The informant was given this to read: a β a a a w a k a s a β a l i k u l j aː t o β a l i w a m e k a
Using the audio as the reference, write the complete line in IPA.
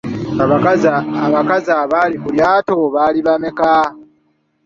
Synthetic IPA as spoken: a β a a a β a k a z a β a l i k u l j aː t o β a l i β a m e k a